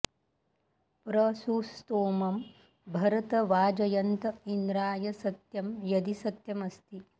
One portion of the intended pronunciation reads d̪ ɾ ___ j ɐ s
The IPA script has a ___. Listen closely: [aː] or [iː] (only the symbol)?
aː